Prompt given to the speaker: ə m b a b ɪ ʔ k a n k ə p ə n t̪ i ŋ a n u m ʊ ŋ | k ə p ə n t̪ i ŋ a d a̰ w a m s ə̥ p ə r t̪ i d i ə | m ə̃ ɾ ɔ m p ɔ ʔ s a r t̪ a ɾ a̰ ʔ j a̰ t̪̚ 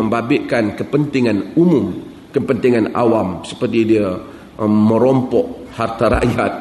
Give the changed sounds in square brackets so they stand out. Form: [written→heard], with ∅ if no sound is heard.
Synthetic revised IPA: ə m b a b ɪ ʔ k a n k ə p ə n t̪ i ŋ a n u m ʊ [ŋ→m] | k ə p ə n t̪ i ŋ a [d→n] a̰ w a m s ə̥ p ə r t̪ i d i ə | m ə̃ ɾ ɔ m p ɔ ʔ [s→h] a r t̪ a ɾ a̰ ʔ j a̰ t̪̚